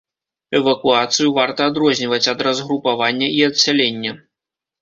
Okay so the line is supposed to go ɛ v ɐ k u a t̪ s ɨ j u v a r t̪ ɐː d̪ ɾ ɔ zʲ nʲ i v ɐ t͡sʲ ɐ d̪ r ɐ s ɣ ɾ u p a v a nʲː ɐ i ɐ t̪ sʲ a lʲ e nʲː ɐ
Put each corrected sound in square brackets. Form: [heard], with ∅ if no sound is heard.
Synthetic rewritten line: ɛ v ɐ k u a t̪ s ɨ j u v a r t̪ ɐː d̪ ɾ ɔ zʲ nʲ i v ɐ t͡sʲ ɐ d̪ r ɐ [z] ɣ ɾ u p a v a nʲː ɐ i ɐ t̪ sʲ a lʲ e nʲː ɐ